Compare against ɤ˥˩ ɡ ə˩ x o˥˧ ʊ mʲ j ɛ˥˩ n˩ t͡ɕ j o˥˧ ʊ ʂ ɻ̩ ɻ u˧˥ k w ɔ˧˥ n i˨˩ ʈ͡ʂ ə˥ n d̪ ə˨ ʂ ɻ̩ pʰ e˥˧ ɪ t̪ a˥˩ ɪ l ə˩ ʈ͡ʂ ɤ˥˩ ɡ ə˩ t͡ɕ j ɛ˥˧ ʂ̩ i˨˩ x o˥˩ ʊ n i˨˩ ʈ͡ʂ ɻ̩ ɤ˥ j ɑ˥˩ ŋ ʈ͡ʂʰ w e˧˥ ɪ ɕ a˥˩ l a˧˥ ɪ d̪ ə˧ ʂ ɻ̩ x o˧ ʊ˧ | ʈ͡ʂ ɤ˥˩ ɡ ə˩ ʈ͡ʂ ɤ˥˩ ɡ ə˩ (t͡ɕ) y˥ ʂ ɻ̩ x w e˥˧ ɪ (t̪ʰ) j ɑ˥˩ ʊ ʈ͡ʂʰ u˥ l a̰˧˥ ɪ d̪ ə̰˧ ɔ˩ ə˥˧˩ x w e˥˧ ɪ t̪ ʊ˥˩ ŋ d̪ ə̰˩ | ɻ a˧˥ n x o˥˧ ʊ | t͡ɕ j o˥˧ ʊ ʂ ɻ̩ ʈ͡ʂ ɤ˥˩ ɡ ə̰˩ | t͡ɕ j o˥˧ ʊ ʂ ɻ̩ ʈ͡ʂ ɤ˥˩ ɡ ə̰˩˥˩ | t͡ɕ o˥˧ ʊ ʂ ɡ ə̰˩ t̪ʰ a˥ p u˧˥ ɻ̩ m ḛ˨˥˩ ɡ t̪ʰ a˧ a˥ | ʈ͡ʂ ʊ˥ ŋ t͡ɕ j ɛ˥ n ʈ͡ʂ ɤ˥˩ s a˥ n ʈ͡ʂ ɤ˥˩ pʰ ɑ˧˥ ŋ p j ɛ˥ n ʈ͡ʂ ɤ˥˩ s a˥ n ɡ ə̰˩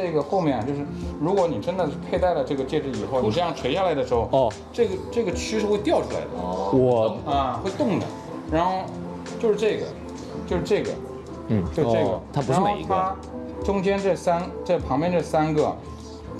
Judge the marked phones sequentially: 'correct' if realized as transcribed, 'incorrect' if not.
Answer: incorrect, incorrect

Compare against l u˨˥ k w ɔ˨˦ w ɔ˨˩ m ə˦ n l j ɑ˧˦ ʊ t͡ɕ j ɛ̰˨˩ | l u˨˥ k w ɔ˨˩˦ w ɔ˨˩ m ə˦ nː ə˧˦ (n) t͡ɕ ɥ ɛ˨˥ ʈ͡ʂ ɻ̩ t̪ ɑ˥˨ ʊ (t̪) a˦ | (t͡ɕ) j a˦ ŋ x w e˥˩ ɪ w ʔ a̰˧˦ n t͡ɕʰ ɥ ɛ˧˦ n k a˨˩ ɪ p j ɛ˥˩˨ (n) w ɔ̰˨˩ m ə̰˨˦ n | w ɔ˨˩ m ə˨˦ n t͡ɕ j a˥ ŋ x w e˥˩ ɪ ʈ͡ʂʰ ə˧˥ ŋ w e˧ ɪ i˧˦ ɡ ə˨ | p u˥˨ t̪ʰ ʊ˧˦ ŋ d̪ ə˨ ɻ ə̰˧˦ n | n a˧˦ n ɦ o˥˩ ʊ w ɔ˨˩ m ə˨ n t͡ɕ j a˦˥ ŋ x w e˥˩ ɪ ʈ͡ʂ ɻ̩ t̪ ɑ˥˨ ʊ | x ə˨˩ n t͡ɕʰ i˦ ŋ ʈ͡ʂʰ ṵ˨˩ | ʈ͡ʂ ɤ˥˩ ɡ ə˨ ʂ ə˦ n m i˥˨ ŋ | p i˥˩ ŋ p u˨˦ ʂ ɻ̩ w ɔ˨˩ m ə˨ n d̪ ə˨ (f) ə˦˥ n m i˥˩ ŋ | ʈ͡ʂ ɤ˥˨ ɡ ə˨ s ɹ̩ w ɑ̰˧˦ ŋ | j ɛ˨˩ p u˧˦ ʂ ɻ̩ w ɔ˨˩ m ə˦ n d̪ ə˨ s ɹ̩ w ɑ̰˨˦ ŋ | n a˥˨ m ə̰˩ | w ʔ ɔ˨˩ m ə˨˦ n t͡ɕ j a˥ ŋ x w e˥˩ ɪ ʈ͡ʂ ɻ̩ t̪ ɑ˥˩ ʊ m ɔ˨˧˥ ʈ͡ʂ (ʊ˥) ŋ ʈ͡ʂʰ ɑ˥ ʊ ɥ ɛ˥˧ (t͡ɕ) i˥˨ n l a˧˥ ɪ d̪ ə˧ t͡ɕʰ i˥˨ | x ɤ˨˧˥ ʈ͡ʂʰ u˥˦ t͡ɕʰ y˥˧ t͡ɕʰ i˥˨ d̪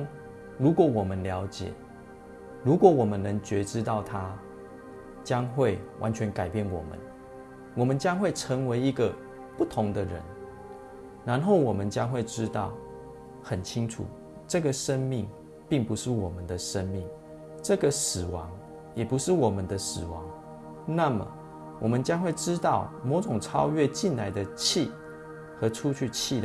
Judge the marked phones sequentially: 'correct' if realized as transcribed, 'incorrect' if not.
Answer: incorrect, incorrect, correct, correct, incorrect, incorrect, correct

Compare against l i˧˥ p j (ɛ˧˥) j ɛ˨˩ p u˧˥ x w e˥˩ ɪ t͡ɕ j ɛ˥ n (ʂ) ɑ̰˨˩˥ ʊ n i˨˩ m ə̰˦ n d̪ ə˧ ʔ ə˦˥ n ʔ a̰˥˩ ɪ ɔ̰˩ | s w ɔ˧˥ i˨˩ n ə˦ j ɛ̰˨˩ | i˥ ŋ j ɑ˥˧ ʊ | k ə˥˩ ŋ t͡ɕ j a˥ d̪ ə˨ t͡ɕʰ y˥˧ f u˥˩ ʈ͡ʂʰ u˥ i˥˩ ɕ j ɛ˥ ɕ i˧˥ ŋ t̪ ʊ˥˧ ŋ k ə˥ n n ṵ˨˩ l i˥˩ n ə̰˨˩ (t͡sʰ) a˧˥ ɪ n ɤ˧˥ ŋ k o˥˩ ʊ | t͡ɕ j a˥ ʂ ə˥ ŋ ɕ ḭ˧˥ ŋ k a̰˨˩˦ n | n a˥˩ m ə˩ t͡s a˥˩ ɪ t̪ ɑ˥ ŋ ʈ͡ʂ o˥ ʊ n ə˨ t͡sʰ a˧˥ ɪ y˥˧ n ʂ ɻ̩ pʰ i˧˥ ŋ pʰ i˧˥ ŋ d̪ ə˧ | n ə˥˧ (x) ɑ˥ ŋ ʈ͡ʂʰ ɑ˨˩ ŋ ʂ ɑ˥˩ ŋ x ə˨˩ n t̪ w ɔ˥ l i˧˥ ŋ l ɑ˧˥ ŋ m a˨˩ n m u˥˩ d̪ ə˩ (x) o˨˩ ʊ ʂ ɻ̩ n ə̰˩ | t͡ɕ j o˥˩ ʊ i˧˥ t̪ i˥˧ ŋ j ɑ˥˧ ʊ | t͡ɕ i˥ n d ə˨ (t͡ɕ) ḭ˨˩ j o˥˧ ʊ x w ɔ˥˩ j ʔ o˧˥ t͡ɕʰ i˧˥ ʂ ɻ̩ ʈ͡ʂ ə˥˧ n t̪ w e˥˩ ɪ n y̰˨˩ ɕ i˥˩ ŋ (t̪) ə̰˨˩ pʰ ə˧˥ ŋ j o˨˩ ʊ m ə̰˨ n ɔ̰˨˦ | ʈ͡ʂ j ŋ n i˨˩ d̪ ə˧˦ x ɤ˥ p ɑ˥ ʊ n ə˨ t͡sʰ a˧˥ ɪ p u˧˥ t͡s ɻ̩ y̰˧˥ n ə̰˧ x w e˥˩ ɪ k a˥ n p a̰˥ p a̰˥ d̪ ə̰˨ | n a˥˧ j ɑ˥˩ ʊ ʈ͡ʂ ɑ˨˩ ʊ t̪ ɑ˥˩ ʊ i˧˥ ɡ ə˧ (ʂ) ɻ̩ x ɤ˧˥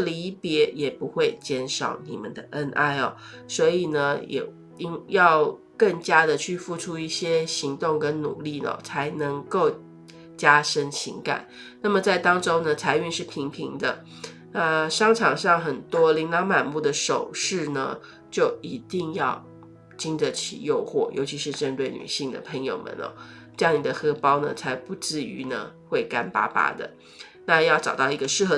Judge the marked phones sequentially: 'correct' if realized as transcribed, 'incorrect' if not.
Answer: correct, correct, correct, incorrect, incorrect, incorrect, incorrect, correct

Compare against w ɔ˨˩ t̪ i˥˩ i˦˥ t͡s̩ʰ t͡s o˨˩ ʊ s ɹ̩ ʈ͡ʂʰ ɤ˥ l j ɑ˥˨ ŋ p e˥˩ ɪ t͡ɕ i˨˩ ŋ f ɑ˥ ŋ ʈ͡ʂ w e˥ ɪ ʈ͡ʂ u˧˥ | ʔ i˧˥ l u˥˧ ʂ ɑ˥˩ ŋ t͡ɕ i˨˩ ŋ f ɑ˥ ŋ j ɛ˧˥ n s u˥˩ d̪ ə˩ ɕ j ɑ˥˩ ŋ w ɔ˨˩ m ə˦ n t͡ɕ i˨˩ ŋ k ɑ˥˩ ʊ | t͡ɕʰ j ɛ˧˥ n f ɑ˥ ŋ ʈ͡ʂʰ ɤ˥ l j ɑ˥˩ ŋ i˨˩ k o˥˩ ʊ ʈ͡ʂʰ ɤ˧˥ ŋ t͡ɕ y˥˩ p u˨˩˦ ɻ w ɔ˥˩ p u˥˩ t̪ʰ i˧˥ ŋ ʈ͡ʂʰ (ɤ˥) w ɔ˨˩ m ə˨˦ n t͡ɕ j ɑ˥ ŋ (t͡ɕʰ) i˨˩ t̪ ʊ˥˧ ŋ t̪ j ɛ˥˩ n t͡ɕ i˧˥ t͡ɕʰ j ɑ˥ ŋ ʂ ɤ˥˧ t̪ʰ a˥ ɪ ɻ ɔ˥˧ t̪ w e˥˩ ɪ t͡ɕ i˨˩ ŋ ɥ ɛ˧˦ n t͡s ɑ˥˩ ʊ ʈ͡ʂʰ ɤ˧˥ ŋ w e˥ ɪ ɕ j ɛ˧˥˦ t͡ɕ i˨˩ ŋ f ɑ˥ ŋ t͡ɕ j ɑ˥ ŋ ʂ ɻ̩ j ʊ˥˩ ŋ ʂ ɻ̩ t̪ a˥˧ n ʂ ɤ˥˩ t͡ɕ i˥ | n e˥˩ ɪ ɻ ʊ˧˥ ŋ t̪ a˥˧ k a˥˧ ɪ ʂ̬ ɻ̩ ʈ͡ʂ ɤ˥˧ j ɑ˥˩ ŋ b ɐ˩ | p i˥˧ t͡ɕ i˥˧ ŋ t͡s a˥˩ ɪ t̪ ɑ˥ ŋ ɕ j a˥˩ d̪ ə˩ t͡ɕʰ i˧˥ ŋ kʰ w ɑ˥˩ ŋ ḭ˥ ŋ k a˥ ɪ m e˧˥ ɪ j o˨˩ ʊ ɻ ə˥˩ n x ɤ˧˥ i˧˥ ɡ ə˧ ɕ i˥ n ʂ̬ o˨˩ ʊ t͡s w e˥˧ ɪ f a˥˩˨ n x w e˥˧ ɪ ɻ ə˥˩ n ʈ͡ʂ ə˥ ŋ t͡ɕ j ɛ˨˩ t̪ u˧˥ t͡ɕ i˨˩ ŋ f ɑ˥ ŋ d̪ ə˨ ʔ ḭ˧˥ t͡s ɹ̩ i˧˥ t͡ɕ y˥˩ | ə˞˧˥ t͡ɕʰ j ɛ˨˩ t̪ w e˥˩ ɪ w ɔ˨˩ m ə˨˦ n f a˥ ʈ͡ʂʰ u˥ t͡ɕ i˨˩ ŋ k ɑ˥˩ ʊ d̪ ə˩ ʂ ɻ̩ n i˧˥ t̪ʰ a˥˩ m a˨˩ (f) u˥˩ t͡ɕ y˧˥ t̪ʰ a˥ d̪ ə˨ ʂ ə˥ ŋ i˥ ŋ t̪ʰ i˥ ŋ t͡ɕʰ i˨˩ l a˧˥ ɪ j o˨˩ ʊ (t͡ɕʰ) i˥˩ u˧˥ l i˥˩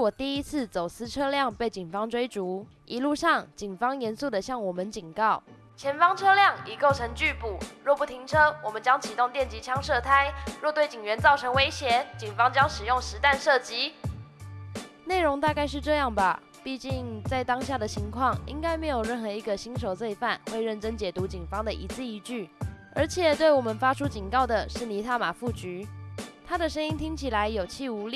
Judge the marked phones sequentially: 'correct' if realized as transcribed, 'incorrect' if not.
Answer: correct, correct, correct, correct

